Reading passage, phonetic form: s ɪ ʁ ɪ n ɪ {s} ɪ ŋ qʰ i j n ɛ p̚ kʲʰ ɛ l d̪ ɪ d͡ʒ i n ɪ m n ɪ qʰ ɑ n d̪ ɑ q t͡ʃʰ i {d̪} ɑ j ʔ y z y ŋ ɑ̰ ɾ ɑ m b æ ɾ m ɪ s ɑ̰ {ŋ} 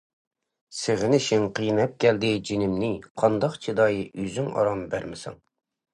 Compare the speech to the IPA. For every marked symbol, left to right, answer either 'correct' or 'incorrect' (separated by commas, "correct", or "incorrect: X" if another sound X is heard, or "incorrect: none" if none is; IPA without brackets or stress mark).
incorrect: ʃ, correct, correct